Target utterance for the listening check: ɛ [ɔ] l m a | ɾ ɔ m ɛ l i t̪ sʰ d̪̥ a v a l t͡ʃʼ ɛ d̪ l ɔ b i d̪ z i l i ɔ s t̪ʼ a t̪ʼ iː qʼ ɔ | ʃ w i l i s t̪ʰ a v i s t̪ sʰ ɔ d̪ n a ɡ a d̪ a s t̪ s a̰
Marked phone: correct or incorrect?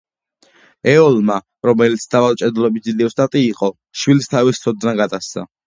correct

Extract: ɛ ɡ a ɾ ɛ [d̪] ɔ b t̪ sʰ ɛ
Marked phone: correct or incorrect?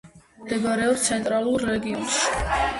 incorrect: none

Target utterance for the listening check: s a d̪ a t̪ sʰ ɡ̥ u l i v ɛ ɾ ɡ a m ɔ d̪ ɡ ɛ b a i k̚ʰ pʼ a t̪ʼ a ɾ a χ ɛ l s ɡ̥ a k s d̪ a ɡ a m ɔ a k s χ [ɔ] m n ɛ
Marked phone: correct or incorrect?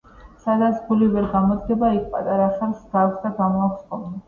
correct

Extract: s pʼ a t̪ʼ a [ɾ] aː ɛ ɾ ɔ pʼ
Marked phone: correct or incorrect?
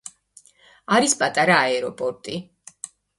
correct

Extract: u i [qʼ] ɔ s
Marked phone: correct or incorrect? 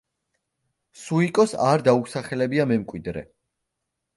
incorrect: kʼ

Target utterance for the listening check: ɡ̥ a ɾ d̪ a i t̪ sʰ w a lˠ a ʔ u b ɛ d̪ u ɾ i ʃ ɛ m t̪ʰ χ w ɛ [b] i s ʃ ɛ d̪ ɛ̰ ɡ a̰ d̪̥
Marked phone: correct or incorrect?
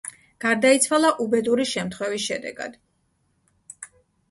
incorrect: v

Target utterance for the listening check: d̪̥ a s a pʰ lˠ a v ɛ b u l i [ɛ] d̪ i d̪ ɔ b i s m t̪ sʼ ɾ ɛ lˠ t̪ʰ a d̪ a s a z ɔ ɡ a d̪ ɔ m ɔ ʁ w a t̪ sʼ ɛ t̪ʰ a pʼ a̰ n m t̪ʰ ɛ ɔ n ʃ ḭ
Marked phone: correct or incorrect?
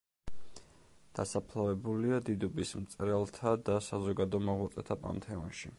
incorrect: a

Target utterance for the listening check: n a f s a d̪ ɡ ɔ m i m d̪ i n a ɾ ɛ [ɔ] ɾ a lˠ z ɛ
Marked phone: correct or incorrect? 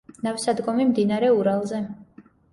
incorrect: u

